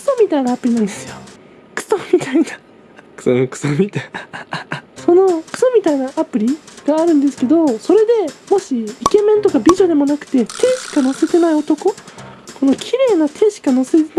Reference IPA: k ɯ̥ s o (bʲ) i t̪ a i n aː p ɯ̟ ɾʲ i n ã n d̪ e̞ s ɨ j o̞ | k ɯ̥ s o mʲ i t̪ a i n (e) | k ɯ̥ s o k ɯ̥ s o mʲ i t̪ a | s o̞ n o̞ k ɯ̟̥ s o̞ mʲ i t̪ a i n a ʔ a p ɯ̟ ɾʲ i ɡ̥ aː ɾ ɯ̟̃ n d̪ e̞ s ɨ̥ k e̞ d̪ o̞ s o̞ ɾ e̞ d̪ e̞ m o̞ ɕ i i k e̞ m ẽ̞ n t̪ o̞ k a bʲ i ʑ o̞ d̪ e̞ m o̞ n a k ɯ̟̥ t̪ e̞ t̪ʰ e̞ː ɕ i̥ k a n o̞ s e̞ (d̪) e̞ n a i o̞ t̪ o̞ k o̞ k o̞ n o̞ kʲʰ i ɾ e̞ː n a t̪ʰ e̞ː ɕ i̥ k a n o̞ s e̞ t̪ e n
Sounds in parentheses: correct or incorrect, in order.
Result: incorrect: mʲ, incorrect: a, incorrect: t̪

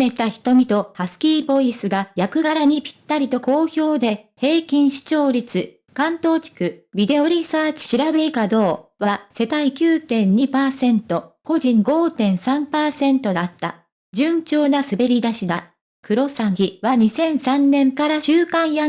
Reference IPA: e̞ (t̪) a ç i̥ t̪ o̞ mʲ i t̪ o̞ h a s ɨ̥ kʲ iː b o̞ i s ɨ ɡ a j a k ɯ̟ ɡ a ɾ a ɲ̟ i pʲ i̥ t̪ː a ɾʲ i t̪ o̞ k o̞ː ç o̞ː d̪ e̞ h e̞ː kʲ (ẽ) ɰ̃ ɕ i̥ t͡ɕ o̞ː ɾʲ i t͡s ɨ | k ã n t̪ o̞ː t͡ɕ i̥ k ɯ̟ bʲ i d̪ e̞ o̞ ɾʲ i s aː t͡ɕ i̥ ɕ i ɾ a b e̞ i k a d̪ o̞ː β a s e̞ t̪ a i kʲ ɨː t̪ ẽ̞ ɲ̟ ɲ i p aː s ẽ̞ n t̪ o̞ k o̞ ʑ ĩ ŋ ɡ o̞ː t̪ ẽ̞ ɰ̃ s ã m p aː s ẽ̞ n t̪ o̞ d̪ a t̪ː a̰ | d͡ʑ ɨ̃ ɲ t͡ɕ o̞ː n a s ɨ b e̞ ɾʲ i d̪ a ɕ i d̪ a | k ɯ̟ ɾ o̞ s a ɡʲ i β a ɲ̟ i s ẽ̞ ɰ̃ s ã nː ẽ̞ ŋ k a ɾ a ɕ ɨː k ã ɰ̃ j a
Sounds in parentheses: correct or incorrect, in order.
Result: correct, incorrect: ĩ

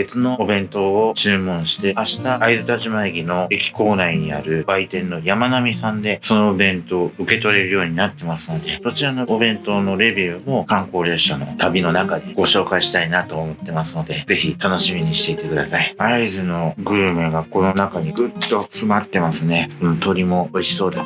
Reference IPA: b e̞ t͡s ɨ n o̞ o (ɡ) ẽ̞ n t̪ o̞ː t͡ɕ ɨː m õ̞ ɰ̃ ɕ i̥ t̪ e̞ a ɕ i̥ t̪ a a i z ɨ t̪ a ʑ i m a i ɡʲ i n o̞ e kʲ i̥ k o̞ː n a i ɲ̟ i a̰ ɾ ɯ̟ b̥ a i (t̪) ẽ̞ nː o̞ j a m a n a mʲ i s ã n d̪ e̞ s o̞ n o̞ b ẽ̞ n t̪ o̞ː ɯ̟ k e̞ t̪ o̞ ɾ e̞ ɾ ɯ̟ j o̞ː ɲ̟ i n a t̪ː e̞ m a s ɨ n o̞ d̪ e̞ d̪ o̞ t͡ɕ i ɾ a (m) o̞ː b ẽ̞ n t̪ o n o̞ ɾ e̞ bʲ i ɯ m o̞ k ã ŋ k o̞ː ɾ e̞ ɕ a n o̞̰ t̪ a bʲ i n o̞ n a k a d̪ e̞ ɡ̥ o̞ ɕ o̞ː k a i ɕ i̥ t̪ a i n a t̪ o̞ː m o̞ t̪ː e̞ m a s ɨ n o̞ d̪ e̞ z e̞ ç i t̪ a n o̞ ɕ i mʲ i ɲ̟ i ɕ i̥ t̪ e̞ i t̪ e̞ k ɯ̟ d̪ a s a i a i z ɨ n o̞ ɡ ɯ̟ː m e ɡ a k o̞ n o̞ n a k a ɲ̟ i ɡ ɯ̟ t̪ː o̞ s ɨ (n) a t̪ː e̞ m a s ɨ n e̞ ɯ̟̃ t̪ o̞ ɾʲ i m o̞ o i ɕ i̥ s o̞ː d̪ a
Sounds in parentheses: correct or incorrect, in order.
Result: incorrect: b, correct, incorrect: n, incorrect: m

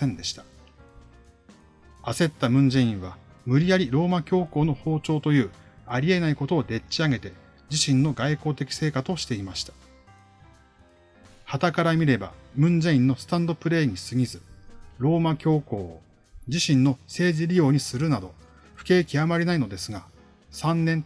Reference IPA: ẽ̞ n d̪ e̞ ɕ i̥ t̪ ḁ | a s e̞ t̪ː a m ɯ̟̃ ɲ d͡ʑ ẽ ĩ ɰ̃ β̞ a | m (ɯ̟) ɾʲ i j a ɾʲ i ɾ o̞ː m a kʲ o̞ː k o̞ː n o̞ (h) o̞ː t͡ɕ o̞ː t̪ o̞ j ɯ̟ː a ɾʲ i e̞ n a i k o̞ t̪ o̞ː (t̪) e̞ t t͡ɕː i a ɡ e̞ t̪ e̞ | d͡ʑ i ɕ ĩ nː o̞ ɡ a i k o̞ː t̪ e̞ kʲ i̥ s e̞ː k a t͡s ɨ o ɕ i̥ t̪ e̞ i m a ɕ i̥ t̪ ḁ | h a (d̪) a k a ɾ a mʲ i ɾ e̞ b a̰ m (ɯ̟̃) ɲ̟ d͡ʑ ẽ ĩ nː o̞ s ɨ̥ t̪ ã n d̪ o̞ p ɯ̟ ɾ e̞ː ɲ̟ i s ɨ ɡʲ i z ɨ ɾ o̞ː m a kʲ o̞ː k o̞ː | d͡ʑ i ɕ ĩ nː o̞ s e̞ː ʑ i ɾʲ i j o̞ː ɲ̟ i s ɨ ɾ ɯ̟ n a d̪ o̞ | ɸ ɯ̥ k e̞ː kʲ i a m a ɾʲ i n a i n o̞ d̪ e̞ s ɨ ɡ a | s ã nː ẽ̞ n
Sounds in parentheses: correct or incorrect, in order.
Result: correct, correct, incorrect: d̪, incorrect: t̪, correct

